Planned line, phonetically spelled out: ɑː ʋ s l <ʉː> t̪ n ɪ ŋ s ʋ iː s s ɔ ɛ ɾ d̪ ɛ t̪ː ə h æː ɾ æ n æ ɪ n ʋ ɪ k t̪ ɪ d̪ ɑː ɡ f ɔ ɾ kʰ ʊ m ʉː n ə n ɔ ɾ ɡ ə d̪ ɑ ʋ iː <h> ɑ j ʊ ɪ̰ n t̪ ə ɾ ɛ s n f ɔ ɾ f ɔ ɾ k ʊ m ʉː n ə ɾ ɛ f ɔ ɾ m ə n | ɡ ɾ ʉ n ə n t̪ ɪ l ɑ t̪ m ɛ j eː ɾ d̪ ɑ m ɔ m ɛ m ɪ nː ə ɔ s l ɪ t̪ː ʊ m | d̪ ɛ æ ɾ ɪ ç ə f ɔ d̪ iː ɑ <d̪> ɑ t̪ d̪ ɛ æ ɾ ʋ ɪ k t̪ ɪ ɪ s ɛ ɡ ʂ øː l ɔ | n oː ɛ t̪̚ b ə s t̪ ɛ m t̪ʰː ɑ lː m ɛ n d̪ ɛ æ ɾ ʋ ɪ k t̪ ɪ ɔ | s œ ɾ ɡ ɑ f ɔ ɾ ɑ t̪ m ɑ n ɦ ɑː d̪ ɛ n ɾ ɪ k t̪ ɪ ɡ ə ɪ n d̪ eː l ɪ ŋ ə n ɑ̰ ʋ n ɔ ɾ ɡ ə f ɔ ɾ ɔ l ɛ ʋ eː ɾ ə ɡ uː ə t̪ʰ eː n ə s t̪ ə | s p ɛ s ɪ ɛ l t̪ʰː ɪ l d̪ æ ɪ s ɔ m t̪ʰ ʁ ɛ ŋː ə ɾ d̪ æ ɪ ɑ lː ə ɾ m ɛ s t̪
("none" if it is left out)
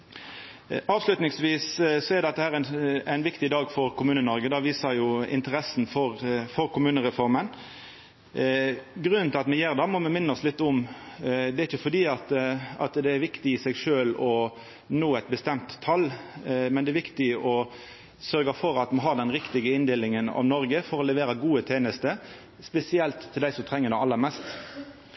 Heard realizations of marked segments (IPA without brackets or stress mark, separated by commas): ʉ, s, t̪